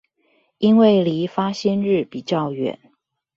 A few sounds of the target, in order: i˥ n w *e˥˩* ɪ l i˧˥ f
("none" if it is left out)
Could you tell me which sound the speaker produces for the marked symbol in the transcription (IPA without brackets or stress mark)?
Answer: e˥˩